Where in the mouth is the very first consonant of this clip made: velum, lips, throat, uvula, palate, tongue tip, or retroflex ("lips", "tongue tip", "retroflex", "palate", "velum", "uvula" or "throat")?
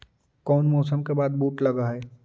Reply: velum